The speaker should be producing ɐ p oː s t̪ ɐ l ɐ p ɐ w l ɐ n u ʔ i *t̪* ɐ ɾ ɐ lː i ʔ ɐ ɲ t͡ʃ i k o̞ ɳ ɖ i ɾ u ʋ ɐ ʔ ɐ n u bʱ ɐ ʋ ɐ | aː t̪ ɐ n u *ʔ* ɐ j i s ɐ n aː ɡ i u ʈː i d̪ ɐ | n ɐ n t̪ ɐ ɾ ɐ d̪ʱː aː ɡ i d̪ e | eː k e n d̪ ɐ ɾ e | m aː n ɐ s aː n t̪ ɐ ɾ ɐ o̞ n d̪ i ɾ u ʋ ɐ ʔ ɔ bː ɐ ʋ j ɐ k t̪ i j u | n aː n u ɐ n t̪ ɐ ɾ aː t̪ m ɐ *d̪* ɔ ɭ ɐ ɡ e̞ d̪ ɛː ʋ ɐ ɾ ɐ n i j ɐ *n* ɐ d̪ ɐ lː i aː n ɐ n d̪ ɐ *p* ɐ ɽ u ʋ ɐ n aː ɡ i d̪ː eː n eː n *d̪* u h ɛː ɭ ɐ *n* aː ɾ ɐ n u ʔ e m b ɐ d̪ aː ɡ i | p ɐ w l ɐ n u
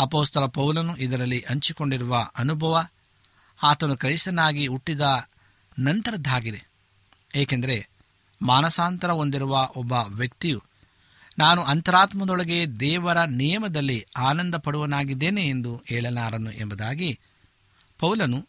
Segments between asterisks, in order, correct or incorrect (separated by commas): incorrect, incorrect, correct, incorrect, correct, correct, correct